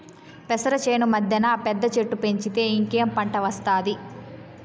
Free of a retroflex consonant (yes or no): no